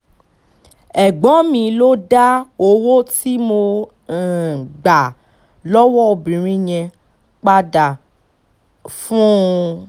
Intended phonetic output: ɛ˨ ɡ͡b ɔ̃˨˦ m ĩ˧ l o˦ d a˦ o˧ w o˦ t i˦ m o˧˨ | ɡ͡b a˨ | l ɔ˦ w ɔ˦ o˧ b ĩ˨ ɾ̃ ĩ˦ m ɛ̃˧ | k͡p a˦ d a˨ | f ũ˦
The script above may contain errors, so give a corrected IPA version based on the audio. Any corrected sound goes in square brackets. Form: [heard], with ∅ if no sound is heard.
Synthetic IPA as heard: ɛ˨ ɡ͡b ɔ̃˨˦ m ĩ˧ l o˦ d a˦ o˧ w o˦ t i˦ m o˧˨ | ɡ͡b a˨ | l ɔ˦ w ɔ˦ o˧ b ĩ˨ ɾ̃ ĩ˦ [ɲ] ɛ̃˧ | k͡p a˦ d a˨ | f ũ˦